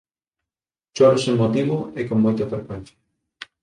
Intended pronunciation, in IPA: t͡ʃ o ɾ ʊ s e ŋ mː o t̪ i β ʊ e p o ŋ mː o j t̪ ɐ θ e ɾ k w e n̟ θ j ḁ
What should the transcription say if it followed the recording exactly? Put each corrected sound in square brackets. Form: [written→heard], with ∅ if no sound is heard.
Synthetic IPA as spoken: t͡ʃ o ɾ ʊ s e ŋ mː o t̪ i β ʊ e [p→k] o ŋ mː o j t̪ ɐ [θ→f] e ɾ k w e n̟ θ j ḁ